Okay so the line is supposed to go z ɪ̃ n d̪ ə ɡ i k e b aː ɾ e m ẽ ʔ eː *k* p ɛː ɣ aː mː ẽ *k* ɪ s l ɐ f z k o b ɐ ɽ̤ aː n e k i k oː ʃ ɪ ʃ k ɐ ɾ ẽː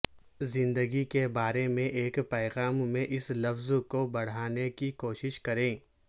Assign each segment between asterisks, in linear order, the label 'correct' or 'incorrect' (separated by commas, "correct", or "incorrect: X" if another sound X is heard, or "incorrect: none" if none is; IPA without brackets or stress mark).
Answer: correct, incorrect: ʔ